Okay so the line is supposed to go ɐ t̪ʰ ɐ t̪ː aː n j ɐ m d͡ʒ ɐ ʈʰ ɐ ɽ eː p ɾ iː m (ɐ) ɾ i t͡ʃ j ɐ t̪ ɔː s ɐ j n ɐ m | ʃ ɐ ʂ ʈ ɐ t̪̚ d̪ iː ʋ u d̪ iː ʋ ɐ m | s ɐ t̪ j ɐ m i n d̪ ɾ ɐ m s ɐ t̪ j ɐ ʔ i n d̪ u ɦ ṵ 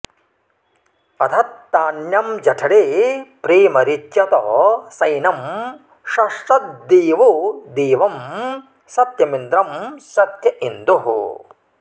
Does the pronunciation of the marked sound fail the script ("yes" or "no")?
no